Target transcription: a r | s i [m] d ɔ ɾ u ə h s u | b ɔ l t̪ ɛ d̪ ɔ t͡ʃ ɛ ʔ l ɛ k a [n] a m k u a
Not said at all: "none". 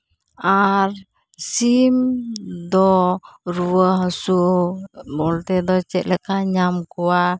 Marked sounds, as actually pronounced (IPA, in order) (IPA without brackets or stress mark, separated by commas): m, ɲ